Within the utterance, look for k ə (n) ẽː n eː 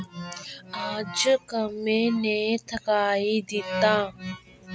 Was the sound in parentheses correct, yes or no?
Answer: no